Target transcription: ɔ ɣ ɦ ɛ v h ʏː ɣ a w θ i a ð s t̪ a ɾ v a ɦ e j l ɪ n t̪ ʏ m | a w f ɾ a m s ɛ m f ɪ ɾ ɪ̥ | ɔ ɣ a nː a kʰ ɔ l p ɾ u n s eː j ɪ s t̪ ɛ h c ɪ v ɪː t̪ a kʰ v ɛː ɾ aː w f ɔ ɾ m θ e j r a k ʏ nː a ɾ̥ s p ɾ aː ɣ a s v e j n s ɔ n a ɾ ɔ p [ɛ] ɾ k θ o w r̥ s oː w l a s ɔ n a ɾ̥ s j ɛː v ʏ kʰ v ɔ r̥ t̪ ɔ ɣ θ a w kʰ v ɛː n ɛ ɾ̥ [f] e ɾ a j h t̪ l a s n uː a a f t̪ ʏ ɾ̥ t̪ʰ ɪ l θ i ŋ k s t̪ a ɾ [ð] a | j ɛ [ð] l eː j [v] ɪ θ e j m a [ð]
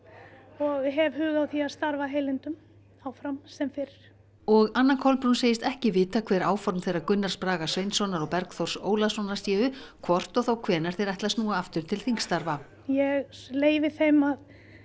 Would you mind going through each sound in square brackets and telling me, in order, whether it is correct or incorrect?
correct, incorrect, incorrect, incorrect, correct, correct

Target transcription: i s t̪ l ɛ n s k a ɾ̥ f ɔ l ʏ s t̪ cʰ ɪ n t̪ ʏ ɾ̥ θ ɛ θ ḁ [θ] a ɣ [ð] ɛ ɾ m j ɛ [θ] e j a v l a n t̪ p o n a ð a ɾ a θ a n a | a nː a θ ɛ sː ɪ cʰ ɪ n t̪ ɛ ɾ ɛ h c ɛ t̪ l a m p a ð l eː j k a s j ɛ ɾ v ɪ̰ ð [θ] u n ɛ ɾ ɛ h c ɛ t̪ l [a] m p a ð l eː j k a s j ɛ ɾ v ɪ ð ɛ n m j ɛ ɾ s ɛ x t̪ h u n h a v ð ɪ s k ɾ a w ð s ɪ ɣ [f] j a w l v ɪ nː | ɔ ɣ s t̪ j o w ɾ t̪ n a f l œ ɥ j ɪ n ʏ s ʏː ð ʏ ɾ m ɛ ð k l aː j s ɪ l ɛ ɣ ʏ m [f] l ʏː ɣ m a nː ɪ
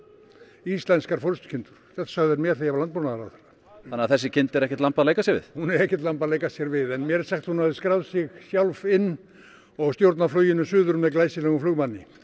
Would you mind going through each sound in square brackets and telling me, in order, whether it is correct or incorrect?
incorrect, correct, correct, incorrect, correct, incorrect, correct

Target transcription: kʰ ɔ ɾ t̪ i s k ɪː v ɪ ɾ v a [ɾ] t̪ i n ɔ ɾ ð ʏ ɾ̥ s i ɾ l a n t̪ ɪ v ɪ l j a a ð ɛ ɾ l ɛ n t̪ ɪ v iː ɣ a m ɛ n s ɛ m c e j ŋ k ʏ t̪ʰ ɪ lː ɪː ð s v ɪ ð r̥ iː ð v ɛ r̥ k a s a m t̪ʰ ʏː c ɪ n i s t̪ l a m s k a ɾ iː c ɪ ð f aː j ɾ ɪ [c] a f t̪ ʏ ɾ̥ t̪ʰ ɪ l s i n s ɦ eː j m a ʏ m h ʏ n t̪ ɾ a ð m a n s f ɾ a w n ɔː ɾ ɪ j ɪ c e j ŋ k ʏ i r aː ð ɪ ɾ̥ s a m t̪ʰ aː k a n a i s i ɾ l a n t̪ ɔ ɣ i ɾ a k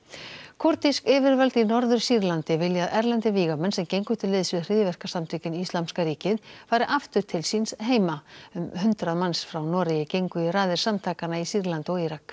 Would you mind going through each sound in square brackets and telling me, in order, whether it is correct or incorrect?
incorrect, incorrect

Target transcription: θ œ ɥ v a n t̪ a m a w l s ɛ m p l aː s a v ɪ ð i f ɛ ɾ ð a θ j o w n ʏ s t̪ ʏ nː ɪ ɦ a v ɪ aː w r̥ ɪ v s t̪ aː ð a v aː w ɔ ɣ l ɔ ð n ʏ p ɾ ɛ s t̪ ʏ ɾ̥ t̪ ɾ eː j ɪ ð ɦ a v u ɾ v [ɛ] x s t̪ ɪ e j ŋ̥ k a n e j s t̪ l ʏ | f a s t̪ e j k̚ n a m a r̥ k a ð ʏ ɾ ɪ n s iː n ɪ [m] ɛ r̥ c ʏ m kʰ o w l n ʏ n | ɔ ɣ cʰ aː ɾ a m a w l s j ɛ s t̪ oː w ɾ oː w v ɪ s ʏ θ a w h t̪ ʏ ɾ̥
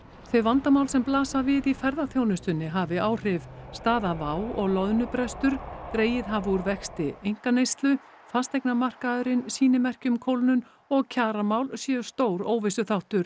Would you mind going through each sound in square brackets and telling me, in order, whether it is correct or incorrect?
correct, correct

